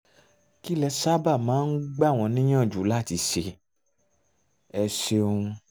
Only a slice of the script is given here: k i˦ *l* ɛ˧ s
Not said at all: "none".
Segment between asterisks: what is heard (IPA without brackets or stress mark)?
l